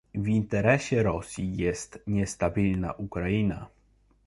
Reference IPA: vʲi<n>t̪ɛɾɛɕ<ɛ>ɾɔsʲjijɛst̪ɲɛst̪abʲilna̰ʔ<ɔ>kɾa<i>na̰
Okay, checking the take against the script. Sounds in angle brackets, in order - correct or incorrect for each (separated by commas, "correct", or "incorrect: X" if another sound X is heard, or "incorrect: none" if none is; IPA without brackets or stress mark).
correct, correct, incorrect: u, correct